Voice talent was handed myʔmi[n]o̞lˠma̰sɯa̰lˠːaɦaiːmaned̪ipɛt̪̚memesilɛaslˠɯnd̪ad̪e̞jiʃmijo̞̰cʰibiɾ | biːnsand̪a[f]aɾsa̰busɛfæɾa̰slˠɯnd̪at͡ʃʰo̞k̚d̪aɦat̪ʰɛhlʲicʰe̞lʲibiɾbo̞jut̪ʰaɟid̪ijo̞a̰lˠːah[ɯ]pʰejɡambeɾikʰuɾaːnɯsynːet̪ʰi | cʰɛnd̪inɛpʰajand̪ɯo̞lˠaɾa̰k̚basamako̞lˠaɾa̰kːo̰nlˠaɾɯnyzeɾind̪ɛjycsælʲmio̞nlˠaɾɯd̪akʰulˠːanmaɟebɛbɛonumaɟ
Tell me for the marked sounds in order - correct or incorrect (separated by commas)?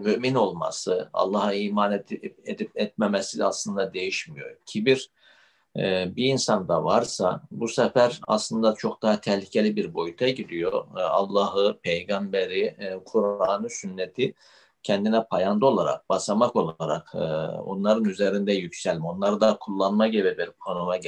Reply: correct, incorrect, correct